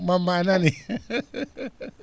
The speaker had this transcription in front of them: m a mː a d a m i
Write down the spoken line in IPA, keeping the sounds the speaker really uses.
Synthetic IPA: m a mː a n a n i